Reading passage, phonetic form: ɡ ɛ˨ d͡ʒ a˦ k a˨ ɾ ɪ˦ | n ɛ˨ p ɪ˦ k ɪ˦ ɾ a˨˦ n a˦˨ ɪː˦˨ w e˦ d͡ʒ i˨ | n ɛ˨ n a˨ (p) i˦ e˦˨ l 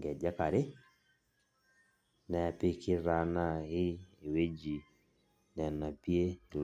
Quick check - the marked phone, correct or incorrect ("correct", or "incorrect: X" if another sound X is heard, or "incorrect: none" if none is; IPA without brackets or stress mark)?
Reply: correct